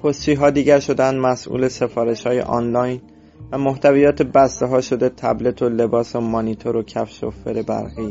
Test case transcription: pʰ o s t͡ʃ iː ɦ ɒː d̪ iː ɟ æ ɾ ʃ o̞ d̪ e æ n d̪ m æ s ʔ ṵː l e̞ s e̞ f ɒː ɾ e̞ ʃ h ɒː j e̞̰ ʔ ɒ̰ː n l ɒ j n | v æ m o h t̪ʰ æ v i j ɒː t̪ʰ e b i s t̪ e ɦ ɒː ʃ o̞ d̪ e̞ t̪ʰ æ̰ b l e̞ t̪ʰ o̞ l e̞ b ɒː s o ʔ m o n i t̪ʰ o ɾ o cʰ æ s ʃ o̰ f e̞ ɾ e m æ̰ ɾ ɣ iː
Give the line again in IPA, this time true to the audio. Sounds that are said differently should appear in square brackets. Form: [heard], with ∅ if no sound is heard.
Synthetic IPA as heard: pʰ o s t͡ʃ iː ɦ ɒː d̪ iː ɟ æ ɾ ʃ o̞ d̪ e æ n d̪ m æ s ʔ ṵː l e̞ s e̞ f ɒː ɾ e̞ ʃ h ɒː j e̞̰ ʔ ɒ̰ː n l ɒ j n | v æ m o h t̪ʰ æ v i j ɒː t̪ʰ e b [æ] s t̪ e ɦ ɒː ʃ o̞ d̪ e̞ t̪ʰ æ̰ b l e̞ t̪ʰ o̞ l e̞ b ɒː s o [∅] m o n i t̪ʰ o ɾ o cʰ æ [f] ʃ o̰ f e̞ ɾ e [b] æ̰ ɾ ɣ iː